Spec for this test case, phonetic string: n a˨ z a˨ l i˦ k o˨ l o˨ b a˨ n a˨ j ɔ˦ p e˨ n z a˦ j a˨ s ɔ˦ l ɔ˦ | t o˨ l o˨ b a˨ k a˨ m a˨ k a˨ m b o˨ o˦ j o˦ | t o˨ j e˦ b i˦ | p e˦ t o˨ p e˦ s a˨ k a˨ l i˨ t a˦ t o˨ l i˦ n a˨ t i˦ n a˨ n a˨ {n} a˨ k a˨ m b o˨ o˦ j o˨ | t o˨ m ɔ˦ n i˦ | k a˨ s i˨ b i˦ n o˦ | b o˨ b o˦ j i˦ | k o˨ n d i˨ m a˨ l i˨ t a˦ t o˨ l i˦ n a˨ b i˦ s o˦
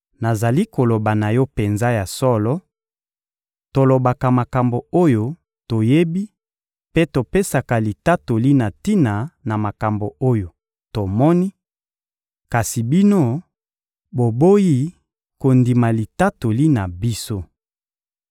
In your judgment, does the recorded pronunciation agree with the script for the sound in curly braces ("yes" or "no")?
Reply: no